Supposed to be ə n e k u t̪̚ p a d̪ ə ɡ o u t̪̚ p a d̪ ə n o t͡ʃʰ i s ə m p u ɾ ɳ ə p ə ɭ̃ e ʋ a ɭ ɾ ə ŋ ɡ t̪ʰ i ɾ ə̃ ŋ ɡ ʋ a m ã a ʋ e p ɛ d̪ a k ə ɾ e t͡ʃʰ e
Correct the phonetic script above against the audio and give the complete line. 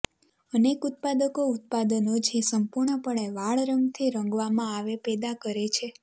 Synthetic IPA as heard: ə n e k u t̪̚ p a d̪ ə k o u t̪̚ p a d̪ ə n o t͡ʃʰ e s ə m p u ɾ ɳ ə p ə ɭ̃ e ʋ a ɭ ɾ ə ŋ ɡ t̪ʰ i ɾ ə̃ ŋ ɡ ʋ a m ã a ʋ e p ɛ d̪ a k ə ɾ e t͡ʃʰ e